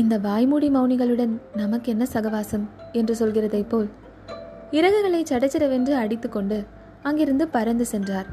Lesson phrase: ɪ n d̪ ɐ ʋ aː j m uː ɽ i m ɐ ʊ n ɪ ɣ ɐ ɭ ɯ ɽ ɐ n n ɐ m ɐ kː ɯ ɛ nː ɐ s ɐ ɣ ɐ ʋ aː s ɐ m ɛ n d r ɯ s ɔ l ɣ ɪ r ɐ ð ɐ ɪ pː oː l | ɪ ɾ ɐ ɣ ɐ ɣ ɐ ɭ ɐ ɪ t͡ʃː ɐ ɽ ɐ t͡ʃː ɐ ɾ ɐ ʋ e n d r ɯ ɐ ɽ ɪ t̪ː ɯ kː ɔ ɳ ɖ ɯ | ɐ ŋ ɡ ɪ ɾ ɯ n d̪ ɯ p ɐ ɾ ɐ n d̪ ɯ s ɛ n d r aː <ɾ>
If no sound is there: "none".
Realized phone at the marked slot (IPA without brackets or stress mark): ɾ